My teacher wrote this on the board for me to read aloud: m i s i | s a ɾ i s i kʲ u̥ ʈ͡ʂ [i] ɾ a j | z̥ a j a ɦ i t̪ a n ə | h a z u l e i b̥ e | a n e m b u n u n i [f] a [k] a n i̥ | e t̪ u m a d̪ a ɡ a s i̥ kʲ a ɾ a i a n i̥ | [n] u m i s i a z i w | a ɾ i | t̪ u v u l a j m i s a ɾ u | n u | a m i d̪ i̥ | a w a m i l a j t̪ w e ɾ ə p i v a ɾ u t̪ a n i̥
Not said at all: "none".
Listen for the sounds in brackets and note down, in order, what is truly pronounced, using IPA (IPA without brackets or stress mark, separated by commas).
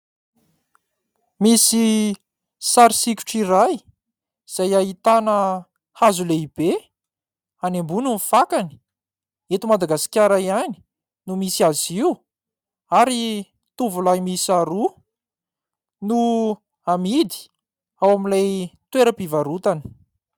i, f, k, n